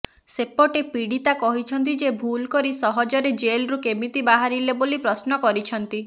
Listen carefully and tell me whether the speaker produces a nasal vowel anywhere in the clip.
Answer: no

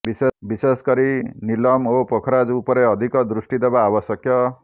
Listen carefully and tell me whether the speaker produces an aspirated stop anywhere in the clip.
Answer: yes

